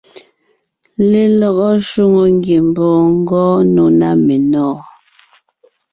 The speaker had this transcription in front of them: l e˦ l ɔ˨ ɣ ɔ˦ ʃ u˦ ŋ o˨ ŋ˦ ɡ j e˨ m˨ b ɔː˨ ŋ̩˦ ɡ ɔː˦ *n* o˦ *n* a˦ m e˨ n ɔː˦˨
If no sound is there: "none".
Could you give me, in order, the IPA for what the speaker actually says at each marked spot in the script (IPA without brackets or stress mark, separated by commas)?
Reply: n, n